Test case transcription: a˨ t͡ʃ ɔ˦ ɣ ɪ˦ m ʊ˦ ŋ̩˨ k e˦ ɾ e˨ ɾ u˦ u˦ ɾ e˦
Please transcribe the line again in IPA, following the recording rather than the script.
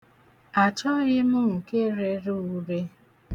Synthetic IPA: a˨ t͡ʃ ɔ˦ ɣ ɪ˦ m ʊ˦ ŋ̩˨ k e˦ ɾ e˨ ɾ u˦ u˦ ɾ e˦